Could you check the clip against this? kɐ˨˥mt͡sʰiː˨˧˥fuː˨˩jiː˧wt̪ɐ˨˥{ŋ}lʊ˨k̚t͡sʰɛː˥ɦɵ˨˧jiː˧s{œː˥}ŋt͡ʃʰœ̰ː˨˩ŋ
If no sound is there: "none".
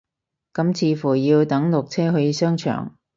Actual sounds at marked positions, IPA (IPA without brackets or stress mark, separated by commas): ŋ, œː˥